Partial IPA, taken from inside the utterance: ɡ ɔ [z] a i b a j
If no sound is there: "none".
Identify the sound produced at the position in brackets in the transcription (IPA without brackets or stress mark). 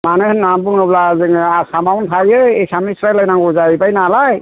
z